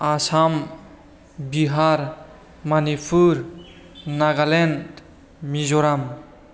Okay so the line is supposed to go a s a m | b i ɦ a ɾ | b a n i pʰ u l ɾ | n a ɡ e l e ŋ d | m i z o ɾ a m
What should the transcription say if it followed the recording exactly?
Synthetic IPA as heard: a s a m | b i ɦ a ɾ | m a n i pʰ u ɾ | n a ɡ a l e n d | m i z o ɾ a m